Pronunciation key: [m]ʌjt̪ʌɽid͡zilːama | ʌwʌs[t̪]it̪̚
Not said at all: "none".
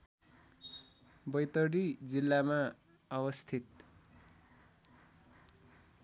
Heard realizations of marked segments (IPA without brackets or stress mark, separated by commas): b, t̪ʰ